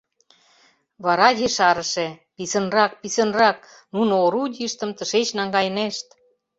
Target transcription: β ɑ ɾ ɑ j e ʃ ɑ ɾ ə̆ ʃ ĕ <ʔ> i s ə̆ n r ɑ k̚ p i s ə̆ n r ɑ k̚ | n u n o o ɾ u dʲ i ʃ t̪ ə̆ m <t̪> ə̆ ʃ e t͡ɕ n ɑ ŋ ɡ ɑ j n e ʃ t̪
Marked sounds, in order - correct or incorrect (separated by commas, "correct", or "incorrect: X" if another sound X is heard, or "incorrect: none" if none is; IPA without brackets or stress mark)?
incorrect: p, correct